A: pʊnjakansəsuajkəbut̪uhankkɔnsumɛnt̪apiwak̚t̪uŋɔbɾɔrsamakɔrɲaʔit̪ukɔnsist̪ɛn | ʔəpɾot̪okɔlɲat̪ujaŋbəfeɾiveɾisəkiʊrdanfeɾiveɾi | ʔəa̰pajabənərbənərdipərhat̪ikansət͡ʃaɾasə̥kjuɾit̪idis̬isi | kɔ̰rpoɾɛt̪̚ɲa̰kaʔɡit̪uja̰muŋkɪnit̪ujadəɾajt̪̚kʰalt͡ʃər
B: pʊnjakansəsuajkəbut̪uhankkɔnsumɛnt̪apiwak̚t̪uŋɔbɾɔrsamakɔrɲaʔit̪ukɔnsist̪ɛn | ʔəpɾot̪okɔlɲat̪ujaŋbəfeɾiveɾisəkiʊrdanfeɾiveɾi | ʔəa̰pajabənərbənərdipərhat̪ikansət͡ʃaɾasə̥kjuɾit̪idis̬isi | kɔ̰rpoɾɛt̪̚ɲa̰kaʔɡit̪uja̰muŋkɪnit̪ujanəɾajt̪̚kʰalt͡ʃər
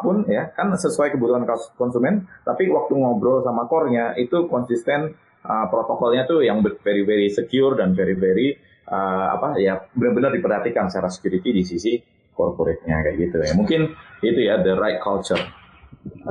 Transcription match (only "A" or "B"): A